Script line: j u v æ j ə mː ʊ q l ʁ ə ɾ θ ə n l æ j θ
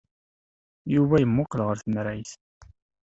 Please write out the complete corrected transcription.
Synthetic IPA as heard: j u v æ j ə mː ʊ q l ʁ ə ɾ θ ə n ɾ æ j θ